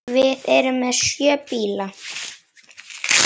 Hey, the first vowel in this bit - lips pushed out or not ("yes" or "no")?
no